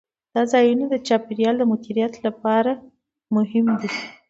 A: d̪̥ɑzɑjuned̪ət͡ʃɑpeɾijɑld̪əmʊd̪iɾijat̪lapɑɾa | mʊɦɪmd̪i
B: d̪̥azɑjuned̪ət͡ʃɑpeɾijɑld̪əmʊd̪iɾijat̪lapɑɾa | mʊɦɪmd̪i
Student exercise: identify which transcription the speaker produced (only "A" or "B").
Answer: A